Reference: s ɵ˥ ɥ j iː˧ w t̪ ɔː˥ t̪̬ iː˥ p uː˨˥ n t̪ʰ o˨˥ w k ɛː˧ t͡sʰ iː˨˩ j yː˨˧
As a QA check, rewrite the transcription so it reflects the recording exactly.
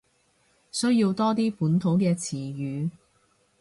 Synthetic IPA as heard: s ɵ˥ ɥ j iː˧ w t̪ ɔː˥ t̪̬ iː˥ p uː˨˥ n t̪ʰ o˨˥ w k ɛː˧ t͡sʰ iː˨˩ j yː˨˧